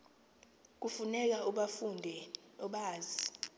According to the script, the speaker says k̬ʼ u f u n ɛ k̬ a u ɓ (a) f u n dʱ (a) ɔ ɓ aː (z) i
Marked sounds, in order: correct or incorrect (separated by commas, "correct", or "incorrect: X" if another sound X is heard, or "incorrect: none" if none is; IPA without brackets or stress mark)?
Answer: correct, incorrect: ɛ, correct